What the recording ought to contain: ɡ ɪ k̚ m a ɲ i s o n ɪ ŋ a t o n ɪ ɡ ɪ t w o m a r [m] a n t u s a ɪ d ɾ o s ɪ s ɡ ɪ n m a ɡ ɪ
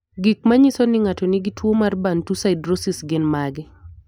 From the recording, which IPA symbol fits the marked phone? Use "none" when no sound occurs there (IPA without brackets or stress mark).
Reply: b